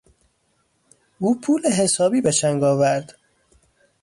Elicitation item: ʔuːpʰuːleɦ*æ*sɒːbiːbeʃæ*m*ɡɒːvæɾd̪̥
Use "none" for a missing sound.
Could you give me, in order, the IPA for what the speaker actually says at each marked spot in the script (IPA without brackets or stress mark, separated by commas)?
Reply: e, ŋ